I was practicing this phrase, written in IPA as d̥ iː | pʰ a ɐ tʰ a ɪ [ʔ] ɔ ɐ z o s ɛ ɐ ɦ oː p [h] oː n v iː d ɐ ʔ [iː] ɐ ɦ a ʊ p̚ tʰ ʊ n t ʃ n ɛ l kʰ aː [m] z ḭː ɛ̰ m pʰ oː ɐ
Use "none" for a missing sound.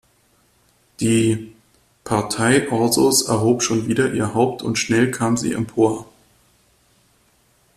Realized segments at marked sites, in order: ʔ, ʃ, iː, m

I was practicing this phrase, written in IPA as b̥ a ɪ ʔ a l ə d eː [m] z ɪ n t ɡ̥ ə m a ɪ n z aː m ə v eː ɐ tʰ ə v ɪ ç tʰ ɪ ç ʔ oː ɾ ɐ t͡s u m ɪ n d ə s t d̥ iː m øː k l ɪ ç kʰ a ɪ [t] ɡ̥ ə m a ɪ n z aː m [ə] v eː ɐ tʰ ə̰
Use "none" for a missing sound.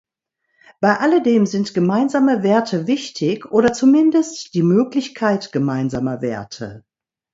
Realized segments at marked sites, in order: m, t, ɐ

